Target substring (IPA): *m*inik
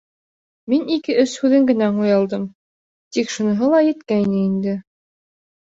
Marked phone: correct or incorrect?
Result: correct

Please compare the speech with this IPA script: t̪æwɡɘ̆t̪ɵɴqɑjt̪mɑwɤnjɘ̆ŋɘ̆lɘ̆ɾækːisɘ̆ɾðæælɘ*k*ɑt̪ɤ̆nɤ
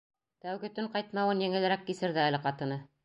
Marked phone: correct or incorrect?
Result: incorrect: q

